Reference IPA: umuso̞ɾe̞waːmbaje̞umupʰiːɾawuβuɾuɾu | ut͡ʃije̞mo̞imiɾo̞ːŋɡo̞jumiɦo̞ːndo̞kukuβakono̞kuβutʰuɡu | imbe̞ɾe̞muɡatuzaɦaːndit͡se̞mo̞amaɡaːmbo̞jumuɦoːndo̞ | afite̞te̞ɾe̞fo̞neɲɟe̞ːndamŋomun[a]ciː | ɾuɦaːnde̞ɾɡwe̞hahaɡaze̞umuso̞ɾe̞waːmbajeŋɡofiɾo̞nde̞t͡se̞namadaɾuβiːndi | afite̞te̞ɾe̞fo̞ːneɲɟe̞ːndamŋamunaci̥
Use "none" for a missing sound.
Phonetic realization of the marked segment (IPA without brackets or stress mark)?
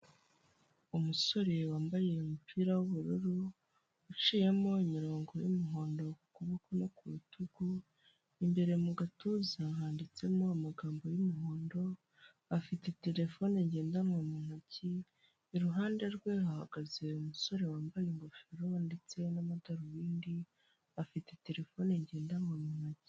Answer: a